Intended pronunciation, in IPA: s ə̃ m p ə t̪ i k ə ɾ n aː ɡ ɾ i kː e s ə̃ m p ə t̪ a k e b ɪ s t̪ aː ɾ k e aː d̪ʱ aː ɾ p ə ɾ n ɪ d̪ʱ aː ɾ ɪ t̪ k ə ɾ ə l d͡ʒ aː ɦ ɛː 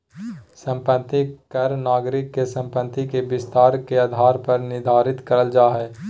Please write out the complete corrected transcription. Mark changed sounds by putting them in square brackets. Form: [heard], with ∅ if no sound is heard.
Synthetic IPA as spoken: s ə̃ m p ə t̪ i k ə ɾ n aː ɡ ɾ [ɪ] kː e s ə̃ m p ə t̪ [i] k e b ɪ s t̪ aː ɾ k e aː d̪ʱ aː ɾ p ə ɾ n ɪ d̪ʱ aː ɾ ɪ t̪ k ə ɾ ə l d͡ʒ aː ɦ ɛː